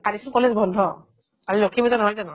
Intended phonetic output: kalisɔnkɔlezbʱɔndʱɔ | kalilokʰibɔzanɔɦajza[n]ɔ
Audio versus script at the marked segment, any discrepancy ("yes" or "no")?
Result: no